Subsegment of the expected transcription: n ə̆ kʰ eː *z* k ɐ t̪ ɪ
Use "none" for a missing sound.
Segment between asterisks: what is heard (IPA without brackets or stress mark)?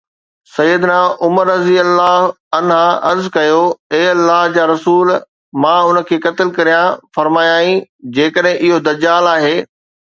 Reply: none